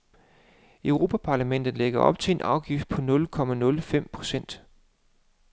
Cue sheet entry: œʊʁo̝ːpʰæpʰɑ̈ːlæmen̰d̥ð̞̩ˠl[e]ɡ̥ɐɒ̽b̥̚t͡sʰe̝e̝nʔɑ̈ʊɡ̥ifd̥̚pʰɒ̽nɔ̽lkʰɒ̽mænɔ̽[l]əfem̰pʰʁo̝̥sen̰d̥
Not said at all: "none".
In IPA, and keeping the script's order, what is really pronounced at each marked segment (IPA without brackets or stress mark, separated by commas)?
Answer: e, l